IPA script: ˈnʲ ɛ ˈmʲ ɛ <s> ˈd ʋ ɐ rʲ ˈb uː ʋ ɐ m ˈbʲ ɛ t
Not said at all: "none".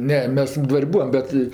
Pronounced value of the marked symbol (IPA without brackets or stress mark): s